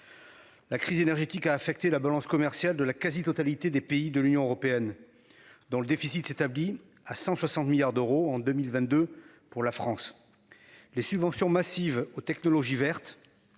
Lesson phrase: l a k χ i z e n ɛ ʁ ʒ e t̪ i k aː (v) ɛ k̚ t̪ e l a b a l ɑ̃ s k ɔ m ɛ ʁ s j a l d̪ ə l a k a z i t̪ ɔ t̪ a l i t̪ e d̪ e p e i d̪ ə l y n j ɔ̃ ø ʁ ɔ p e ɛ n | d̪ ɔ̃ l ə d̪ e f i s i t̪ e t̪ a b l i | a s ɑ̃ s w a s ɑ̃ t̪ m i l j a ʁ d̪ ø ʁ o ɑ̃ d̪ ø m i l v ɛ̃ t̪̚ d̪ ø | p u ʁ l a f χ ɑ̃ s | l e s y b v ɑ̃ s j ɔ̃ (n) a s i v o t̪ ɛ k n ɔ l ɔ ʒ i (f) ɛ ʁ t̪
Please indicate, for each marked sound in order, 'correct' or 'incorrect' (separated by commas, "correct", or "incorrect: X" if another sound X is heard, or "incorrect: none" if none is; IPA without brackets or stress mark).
incorrect: f, incorrect: m, incorrect: v